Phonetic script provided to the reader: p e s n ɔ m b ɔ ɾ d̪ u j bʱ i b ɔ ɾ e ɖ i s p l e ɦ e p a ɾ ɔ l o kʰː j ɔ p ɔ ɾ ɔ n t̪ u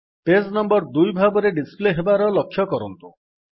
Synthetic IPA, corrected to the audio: p e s n ɔ m b ɔ ɾ d̪ u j bʱ a b ɔ ɾ e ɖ i s p l e ɦ e b a ɾ ɔ l ɔ kʰː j ɔ k ɔ ɾ ɔ n t̪ u